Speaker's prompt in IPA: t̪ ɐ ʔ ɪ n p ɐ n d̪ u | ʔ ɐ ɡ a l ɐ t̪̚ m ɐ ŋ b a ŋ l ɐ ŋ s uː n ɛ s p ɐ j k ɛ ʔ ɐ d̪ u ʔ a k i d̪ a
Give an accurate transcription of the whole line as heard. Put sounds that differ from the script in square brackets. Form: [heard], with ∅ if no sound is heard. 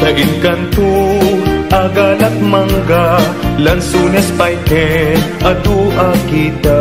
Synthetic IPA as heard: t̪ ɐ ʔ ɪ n [k] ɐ n [t̪] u | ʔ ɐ ɡ a l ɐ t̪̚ m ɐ ŋ [ɡ] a [∅] l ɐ [n] s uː n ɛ s p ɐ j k ɛ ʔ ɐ d̪ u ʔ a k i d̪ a